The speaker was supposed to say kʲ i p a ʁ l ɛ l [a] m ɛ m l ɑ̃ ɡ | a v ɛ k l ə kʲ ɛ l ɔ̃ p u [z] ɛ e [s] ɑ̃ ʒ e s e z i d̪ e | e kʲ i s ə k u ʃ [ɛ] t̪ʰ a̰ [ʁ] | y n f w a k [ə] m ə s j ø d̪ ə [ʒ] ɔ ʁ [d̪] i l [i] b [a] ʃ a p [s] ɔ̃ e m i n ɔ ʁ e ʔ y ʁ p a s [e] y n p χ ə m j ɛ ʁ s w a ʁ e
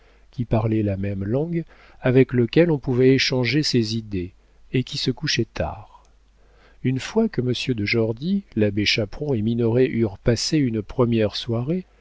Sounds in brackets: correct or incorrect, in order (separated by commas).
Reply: correct, incorrect, incorrect, correct, correct, correct, correct, correct, incorrect, incorrect, incorrect, correct